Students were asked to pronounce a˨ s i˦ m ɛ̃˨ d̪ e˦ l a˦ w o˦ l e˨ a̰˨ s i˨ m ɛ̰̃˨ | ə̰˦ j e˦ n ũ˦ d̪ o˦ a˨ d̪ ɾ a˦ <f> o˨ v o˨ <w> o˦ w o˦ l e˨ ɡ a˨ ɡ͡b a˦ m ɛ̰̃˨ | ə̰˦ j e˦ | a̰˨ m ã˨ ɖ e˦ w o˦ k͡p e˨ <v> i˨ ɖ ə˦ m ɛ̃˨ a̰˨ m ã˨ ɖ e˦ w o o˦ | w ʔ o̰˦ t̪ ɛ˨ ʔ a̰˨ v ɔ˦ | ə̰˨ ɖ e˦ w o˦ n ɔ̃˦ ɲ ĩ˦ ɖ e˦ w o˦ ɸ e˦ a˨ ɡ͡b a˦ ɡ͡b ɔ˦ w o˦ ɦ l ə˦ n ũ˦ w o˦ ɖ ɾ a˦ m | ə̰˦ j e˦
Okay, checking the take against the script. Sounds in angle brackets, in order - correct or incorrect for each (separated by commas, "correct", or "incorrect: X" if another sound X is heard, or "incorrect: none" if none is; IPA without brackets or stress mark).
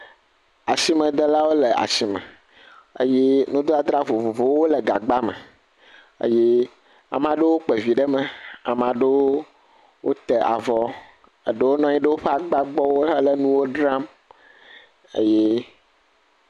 incorrect: v, incorrect: v, correct